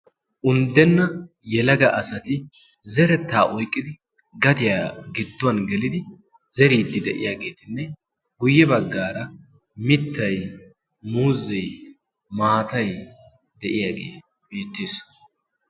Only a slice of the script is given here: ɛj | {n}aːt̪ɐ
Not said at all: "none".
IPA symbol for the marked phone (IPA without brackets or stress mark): m